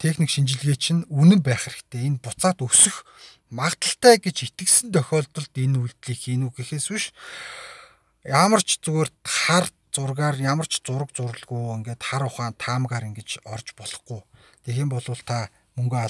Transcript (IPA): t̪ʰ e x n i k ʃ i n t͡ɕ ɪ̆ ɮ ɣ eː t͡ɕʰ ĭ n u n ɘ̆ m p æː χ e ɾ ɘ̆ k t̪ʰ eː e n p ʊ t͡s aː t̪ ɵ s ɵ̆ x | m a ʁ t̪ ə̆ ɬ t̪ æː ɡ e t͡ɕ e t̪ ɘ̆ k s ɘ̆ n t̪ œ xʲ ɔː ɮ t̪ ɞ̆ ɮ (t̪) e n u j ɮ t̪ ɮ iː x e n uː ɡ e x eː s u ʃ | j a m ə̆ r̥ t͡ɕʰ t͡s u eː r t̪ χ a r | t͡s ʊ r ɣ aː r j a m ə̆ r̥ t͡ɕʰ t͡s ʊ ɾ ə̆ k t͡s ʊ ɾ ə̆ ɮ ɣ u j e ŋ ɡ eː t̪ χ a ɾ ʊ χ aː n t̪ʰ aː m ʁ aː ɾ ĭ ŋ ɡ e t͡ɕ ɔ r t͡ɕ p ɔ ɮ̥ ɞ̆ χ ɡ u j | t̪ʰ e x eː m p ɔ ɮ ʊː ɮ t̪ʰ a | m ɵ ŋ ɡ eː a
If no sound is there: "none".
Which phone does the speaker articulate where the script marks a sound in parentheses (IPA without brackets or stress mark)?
t̪